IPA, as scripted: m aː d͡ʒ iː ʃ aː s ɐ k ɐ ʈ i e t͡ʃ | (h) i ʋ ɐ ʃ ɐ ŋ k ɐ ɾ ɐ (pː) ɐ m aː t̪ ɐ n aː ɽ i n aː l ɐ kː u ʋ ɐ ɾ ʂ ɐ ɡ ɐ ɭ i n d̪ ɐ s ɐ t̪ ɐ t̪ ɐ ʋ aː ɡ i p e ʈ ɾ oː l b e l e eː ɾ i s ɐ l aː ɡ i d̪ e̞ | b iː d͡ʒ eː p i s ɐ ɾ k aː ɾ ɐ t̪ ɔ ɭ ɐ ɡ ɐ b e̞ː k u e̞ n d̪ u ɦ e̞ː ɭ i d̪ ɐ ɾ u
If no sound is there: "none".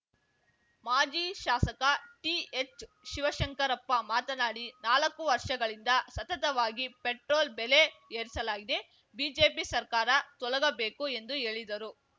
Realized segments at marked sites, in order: ʃ, pː

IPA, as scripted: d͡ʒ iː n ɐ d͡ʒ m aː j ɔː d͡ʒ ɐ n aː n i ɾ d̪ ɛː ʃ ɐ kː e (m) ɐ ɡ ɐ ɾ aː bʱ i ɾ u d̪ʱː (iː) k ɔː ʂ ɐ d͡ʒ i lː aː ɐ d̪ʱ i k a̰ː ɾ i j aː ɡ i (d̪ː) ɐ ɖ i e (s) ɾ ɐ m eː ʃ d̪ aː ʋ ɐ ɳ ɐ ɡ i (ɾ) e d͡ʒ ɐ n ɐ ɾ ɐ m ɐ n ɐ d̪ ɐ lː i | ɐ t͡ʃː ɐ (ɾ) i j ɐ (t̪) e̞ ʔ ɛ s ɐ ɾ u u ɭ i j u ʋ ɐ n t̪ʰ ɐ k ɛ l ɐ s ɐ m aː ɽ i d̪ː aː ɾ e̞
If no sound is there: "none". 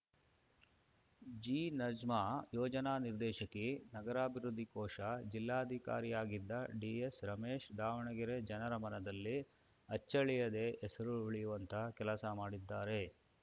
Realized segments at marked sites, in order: n, i, d̪ː, s, ɾ, ɭ, d̪

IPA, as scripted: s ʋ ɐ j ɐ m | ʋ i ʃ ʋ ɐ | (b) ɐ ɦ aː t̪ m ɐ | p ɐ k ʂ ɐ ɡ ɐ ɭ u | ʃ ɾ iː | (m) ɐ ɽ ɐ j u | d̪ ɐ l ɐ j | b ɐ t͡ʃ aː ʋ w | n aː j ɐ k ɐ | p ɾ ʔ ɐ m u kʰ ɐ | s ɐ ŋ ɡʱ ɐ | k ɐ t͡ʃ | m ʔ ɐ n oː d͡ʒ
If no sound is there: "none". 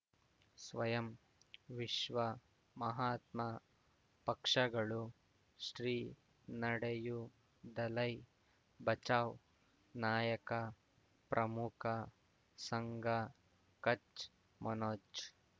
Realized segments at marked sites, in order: m, n

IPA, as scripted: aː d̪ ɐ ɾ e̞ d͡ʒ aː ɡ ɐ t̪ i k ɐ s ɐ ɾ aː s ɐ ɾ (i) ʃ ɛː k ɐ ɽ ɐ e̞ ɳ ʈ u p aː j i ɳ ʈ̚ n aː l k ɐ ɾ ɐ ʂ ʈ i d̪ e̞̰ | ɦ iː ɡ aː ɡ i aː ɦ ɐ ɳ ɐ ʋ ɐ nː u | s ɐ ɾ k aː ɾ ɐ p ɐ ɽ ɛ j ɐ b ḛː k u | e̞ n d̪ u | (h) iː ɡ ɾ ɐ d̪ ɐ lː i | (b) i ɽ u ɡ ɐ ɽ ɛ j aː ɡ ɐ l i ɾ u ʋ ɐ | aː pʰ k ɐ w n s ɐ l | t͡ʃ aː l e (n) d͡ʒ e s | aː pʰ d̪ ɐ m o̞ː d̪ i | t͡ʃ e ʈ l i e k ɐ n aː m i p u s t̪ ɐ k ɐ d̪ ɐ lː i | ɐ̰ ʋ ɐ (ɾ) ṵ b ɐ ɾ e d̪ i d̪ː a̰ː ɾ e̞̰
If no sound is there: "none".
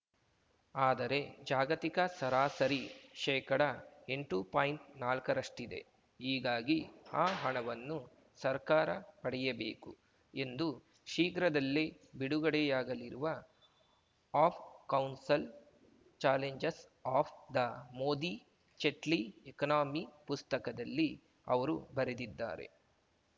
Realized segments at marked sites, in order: i, ʃ, b, ɲ, ɾ

